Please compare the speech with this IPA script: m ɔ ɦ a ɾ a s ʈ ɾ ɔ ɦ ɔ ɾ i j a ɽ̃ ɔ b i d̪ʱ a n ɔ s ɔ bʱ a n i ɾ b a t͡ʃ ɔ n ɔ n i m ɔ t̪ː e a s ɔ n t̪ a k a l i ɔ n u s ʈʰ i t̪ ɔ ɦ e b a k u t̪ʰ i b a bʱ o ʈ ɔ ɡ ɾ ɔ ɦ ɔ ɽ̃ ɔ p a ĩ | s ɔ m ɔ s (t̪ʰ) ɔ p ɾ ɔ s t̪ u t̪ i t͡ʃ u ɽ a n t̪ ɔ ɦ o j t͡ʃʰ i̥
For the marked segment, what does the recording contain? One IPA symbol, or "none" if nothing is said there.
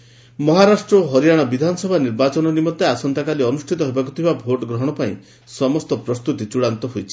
t̪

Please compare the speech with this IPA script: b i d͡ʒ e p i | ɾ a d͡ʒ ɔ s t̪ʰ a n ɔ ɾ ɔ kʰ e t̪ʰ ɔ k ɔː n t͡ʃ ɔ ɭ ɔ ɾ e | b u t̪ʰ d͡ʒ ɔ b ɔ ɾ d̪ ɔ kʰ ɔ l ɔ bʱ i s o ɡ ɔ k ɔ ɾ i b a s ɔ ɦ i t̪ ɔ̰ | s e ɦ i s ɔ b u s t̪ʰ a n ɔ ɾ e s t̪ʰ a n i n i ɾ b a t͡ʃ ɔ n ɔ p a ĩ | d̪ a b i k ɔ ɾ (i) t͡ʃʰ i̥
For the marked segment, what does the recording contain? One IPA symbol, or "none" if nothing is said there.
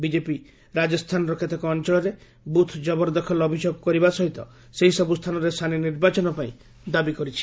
i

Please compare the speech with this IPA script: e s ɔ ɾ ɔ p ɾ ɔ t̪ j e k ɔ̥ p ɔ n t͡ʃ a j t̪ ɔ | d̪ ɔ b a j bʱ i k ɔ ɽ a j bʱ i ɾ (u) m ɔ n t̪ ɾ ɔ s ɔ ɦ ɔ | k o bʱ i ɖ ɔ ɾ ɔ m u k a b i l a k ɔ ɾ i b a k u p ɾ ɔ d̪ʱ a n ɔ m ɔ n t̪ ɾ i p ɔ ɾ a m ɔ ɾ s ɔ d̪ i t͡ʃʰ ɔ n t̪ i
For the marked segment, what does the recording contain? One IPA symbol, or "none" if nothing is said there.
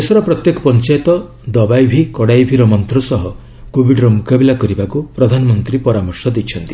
ɔ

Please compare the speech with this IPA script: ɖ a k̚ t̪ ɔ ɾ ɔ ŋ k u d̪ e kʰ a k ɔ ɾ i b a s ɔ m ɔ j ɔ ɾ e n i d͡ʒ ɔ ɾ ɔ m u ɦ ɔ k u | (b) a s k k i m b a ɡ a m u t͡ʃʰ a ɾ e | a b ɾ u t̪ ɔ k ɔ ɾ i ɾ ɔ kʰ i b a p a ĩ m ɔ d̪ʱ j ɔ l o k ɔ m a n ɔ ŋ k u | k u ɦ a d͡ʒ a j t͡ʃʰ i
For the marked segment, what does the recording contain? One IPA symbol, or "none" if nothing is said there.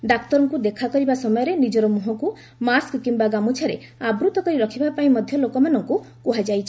m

